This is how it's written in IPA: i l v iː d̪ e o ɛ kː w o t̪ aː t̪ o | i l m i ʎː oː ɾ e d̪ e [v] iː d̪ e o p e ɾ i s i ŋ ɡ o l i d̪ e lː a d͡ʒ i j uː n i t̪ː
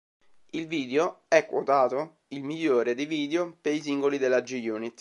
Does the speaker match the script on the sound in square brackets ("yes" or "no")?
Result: yes